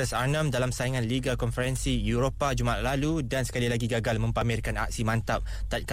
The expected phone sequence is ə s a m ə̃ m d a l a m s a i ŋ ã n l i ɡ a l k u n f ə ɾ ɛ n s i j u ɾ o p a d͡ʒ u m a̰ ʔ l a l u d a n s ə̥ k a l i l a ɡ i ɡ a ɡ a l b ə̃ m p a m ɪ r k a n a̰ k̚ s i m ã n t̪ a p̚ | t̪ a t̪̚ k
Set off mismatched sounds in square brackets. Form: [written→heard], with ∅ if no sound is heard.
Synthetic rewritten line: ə s a [m→n] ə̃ m d a l a m s a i ŋ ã n l i ɡ a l k [u→ɔ] n f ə ɾ ɛ n s i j u ɾ o p a d͡ʒ u m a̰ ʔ l a l u d a n s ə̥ k a l i l a ɡ i ɡ a ɡ a l [b→m] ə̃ m p a m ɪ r k a n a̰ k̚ s i m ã n t̪ a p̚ | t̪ a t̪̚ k